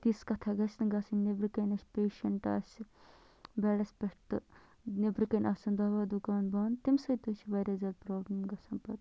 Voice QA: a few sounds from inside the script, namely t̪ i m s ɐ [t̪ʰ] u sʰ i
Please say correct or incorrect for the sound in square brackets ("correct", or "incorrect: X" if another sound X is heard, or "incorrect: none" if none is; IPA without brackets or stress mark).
incorrect: t̪